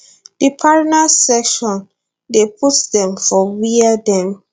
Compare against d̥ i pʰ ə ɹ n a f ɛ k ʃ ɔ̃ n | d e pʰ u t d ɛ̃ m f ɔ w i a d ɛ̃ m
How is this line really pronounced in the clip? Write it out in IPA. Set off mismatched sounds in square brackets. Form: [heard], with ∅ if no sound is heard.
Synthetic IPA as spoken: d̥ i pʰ [a] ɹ n a [s] ɛ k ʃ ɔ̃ n | d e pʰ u t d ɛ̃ m f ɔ w i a d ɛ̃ m